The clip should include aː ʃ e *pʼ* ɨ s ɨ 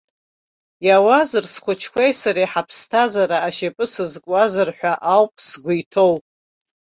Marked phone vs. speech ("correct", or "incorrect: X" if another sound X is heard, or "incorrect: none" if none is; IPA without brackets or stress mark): correct